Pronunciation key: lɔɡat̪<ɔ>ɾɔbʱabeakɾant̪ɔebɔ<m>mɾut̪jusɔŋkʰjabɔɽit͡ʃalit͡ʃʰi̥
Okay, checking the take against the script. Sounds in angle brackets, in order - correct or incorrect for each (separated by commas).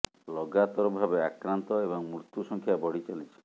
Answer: correct, incorrect